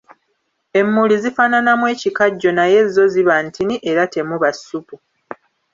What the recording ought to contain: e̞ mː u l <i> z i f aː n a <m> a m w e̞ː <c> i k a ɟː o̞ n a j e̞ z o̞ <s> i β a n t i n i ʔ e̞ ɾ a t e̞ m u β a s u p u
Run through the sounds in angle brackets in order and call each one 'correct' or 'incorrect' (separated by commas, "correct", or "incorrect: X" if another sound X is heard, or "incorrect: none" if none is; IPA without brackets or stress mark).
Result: correct, incorrect: n, correct, incorrect: z